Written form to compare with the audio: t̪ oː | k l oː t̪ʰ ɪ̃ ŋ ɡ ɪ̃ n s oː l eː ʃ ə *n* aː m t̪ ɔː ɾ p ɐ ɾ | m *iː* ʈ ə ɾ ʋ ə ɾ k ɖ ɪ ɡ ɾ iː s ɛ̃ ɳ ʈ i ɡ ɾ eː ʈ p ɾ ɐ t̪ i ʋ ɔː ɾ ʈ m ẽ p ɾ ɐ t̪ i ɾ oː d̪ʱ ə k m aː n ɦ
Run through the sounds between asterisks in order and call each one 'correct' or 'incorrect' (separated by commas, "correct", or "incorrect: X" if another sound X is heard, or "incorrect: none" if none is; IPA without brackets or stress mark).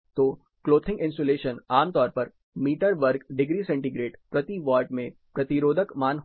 correct, correct